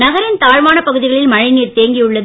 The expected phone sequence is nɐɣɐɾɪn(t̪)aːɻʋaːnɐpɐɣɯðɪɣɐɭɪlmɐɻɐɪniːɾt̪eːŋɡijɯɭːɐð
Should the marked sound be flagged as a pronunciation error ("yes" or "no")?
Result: no